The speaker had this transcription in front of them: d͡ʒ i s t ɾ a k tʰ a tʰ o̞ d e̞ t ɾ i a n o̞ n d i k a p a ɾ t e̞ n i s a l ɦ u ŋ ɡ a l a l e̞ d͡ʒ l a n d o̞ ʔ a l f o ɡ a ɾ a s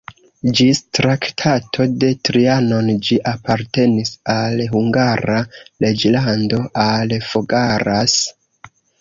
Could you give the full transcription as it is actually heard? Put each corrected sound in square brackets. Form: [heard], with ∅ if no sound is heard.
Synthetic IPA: d͡ʒ i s t ɾ a k tʰ a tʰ o̞ d e̞ t ɾ i a n o̞ n [d͡ʒ] i [ʔ] a p a ɾ t e̞ n i s a l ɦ u ŋ ɡ a [ɾ] a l e̞ d͡ʒ l a n d o̞ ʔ a l f o ɡ a ɾ a s